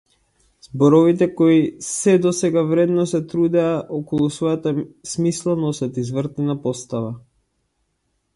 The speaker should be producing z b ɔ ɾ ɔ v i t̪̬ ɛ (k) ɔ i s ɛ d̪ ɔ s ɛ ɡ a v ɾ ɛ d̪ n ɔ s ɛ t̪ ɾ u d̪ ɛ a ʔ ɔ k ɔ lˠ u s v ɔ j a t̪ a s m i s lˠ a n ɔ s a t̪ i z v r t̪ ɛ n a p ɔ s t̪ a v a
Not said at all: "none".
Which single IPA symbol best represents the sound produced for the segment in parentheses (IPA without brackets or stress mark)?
k